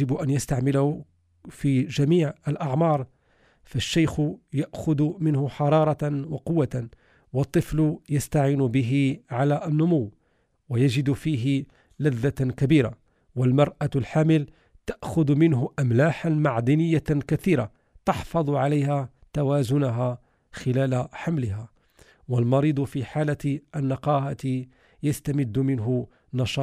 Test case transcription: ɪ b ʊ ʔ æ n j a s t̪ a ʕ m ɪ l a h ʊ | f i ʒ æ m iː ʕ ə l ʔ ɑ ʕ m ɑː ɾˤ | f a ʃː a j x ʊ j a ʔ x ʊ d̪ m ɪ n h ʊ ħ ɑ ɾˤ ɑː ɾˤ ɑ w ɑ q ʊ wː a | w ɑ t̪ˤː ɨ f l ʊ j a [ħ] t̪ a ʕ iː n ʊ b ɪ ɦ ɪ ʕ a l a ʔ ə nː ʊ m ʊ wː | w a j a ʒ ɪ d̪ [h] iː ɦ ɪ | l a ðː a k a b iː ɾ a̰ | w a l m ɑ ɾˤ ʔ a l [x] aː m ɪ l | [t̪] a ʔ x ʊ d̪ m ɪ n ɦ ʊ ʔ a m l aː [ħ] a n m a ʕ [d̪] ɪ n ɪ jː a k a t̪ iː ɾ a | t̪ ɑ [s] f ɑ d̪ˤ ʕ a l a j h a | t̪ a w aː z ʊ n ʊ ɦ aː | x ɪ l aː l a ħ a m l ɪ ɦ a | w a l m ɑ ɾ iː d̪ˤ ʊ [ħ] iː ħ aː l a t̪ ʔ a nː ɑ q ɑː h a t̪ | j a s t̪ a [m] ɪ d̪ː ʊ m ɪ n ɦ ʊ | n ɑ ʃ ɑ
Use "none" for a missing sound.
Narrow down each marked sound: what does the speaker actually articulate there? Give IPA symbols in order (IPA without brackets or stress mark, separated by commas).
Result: s, f, ħ, t̪, ħ, d̪, ħ, f, m